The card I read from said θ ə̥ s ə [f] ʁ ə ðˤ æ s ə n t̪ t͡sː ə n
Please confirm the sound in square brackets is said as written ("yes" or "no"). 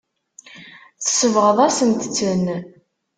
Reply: no